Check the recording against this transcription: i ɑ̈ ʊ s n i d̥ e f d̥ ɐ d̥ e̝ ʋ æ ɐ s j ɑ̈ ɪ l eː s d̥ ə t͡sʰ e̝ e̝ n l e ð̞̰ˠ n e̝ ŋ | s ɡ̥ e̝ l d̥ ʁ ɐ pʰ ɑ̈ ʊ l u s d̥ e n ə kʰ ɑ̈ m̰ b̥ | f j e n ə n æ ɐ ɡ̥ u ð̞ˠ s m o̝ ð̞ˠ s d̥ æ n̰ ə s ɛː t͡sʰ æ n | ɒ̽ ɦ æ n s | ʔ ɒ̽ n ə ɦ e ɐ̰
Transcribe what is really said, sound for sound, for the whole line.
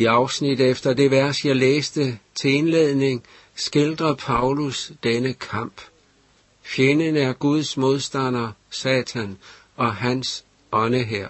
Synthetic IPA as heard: i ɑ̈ ʊ s n i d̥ e f d̥ ɐ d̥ e̝ ʋ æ ɐ s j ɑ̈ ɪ l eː s d̥ ə t͡sʰ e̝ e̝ n l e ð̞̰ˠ n e̝ ŋ | s ɡ̥ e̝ l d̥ ʁ ɐ pʰ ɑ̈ ʊ l u s d̥ e n ə kʰ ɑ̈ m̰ b̥ | f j e n ə n æ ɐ ɡ̥ u ð̞ˠ s m o̝ ð̞ˠ s d̥ æ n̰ ɐ s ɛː t͡sʰ æ n | ɒ̽ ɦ æ n s | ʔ ɒ̽ n ə ɦ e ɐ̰